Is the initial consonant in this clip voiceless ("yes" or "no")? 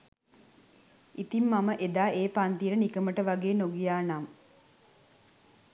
yes